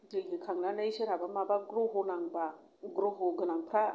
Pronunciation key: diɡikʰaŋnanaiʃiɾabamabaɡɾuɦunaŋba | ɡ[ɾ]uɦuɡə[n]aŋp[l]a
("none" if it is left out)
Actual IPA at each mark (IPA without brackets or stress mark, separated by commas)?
ɾ, n, ɾ